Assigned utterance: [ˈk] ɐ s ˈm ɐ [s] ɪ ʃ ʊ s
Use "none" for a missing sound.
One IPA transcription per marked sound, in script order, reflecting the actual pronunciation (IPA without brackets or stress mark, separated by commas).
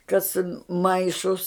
k, none